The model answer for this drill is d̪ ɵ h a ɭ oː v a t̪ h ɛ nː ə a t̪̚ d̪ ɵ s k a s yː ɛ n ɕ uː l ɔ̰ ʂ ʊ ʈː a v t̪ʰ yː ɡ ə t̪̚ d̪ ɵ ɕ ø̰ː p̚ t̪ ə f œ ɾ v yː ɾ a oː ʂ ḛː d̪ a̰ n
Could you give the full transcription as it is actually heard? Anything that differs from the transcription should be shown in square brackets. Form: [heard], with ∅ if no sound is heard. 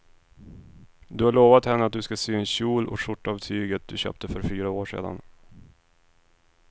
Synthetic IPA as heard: d̪ ɵ h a ɭ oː v a t̪ h ɛ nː ə a t̪̚ d̪ ɵ s k a s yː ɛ n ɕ uː l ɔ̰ ʂ ʊ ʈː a v t̪ʰ yː ɡ ə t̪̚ d̪ ɵ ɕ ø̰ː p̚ t̪ ə f œ ɾ [f] yː ɾ a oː ʂ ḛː d̪ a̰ n